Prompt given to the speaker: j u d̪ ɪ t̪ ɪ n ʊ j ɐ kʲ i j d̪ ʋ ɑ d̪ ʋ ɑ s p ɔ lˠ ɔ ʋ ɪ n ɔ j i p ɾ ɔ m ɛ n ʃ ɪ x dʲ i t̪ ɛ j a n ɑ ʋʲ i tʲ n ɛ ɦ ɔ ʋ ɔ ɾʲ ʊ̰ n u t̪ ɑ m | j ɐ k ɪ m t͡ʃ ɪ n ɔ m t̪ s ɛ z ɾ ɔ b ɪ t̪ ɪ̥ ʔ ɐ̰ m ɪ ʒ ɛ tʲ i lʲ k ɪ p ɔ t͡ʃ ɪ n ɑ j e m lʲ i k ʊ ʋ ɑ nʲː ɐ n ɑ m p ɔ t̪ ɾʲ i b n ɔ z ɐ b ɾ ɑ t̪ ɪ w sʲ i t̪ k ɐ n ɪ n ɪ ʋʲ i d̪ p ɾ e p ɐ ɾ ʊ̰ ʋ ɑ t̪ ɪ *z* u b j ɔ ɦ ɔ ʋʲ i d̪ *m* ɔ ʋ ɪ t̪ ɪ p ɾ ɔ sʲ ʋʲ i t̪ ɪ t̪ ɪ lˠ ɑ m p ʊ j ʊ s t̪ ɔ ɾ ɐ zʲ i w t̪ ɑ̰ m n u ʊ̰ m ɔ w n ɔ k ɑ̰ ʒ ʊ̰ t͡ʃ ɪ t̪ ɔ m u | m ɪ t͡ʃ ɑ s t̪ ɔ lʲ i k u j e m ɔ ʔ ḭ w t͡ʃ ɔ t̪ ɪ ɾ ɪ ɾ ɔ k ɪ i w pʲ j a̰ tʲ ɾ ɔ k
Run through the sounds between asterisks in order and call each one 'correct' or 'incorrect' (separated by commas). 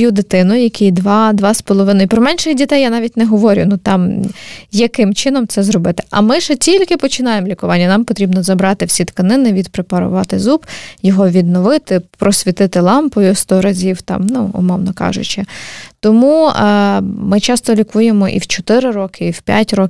correct, incorrect